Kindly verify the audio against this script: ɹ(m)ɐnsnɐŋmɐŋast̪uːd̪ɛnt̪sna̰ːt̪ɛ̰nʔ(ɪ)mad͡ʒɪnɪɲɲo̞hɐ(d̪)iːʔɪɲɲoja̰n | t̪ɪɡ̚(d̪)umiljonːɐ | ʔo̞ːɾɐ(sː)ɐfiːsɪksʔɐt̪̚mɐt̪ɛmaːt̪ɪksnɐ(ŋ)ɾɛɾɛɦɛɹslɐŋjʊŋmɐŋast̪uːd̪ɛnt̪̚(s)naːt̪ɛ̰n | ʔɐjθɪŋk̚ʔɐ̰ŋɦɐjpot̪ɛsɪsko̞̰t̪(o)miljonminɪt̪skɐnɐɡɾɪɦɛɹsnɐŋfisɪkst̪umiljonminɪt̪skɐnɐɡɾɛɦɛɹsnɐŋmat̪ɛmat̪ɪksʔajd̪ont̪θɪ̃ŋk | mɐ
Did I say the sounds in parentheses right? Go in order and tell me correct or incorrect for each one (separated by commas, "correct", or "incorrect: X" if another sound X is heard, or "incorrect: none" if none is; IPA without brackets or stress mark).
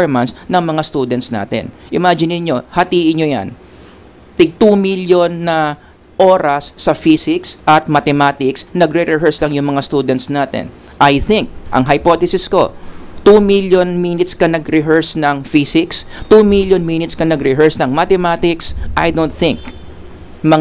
correct, correct, incorrect: t̪, incorrect: t̪, correct, incorrect: ɡ, correct, incorrect: u